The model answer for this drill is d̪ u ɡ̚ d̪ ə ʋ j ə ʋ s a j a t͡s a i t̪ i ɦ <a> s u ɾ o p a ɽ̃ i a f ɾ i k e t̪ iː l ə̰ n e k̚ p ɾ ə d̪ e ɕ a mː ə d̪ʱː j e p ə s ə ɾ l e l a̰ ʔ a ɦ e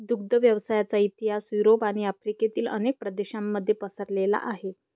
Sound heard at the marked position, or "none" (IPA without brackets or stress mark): a